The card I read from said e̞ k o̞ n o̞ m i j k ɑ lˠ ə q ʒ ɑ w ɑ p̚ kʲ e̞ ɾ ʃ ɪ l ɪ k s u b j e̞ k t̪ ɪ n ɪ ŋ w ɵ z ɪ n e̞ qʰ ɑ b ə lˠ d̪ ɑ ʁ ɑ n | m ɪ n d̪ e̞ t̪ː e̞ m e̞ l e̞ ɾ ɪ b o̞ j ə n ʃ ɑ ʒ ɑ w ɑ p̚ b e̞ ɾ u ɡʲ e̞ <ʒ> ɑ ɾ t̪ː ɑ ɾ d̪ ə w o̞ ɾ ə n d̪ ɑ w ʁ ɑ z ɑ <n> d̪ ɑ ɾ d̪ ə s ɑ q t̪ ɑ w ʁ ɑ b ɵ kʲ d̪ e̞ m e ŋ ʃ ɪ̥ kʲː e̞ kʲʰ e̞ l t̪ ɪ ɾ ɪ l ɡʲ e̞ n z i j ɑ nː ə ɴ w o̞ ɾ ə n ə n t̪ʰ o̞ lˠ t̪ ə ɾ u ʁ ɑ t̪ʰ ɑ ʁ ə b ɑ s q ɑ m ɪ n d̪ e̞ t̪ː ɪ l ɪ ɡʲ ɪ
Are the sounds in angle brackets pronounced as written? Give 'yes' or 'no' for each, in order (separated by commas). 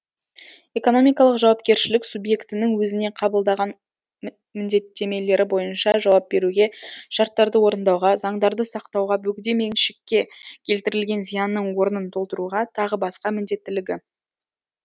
no, no